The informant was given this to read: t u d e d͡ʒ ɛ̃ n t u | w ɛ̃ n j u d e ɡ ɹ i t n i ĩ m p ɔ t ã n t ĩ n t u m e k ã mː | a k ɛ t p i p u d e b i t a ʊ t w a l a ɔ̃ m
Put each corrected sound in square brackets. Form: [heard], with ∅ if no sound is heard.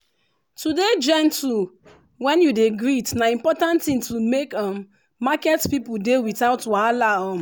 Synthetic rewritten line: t u d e d͡ʒ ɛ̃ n t u | w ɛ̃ n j u d e ɡ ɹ i t n [a] ĩ m p ɔ t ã n t ĩ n t u m e k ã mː | a k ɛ t p i p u d e [w] i t a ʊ t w a l a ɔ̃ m